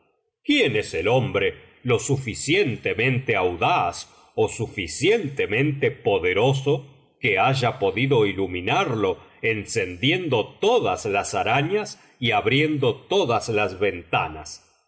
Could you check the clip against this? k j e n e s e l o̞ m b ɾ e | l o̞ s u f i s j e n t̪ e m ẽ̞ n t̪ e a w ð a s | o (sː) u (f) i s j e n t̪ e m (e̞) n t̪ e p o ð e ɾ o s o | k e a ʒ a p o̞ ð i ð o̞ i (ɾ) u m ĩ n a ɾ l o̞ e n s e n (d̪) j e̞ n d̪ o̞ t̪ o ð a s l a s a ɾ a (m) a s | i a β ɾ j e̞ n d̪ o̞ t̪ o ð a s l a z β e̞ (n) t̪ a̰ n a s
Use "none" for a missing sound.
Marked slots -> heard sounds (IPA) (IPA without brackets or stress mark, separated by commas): s, f, ẽ̞, l, d̪, ɲ, n